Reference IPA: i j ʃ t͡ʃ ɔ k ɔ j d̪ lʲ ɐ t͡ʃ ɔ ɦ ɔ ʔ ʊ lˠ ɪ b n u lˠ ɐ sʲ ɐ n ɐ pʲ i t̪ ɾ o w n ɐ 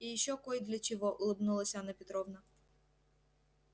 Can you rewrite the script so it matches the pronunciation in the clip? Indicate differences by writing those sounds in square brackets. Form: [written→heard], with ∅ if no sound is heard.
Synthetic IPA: i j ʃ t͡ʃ ɔ k ɔ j d̪ lʲ ɐ t͡ʃ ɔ ɦ ɔ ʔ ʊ lˠ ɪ b n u lˠ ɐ sʲ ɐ n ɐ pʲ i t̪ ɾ [o→ɔ] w n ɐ